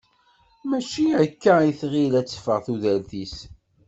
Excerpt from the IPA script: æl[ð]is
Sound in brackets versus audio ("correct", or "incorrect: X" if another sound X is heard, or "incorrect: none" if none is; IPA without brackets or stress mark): incorrect: θ